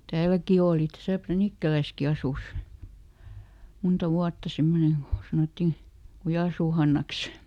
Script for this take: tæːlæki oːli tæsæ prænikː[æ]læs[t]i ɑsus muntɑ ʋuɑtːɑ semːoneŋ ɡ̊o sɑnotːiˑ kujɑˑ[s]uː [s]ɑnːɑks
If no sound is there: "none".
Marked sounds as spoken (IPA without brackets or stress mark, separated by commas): æ, k, s, h